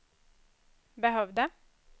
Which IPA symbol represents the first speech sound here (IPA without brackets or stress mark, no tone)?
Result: b